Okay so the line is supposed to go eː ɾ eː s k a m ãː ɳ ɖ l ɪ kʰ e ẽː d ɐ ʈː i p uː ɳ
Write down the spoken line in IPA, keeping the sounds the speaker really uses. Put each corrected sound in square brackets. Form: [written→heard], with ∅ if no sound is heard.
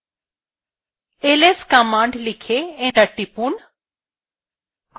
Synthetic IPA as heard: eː [ɾ→l] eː s k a m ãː ɳ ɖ l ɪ kʰ e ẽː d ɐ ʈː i p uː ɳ